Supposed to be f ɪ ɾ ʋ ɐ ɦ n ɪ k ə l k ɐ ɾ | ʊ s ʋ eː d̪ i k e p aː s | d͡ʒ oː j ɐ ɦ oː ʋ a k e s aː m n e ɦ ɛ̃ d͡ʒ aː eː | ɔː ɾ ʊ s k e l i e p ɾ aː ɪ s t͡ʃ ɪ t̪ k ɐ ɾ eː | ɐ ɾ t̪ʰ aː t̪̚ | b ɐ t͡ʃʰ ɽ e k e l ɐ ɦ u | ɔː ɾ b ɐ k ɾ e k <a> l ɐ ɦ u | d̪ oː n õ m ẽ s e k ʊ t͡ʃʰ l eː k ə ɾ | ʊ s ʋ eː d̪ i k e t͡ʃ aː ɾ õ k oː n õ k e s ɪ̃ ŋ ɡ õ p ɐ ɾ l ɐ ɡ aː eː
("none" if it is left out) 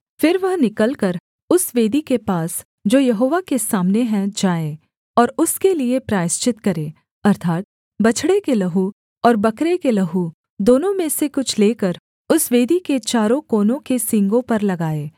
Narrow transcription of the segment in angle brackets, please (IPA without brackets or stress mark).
e